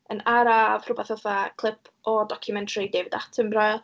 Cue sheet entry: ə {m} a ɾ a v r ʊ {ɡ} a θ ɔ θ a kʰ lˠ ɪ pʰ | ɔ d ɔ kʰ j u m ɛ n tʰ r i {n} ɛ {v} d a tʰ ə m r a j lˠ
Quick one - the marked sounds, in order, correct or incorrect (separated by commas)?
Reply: incorrect, incorrect, incorrect, correct